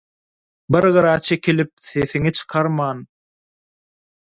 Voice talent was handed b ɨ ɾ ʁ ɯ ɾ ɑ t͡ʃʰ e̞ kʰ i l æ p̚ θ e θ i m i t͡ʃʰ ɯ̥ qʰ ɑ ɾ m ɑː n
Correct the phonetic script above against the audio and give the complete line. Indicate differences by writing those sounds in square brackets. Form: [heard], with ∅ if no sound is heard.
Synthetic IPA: b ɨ ɾ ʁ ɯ ɾ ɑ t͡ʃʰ e̞ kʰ i l [i] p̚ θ e θ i [ŋ] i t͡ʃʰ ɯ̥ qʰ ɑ ɾ m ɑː n